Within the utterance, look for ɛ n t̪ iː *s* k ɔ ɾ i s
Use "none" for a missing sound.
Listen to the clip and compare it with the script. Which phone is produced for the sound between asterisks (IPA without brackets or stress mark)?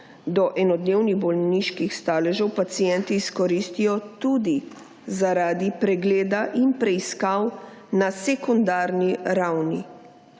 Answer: s